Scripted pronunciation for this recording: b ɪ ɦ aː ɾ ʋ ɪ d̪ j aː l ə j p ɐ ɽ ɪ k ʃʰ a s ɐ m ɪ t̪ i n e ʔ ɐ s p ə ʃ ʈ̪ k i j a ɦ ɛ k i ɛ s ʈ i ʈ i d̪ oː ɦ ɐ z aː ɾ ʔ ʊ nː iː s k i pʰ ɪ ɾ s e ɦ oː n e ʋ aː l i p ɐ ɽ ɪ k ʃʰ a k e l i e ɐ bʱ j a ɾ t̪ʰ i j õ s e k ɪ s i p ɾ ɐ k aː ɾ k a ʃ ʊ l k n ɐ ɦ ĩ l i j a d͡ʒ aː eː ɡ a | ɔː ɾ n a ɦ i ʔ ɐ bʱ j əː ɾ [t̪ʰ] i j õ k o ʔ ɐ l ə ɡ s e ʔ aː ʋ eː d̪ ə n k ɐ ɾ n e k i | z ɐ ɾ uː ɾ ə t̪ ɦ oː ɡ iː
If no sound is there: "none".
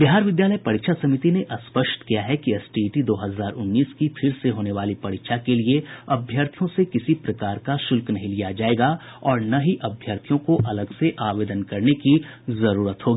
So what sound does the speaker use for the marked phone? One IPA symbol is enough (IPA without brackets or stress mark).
t̪ʰ